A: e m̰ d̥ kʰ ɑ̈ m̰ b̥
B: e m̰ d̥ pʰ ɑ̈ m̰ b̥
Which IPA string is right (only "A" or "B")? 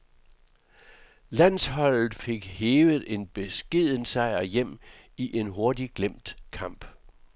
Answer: A